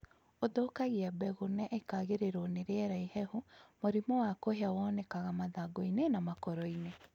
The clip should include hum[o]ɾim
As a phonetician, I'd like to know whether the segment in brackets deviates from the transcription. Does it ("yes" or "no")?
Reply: no